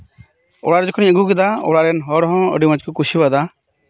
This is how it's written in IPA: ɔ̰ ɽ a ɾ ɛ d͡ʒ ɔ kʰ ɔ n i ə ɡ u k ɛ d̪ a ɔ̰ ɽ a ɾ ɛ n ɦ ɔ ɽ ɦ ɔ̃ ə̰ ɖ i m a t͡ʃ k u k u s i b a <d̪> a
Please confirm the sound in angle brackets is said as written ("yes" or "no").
yes